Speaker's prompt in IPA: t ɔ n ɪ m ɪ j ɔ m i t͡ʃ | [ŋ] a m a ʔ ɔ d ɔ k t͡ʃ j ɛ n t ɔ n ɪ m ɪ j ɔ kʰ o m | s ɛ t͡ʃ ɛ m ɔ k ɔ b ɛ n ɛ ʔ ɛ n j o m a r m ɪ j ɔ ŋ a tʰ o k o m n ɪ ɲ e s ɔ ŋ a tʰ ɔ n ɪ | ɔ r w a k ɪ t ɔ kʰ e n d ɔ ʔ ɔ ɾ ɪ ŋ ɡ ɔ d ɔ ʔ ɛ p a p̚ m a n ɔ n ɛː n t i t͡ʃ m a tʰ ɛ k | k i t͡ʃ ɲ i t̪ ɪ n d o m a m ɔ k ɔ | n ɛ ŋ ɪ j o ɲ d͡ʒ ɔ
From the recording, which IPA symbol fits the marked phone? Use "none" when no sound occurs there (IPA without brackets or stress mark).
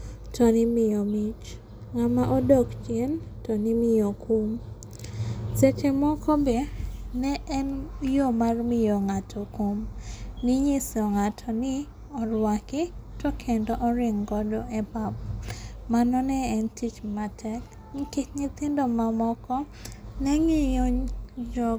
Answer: ŋ